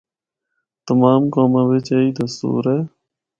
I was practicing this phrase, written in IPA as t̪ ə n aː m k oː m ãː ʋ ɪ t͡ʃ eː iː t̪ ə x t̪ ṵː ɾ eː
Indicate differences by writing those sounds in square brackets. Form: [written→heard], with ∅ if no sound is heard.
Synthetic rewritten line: t̪ ə [n→m] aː m k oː m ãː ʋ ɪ t͡ʃ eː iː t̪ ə [x→s] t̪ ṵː ɾ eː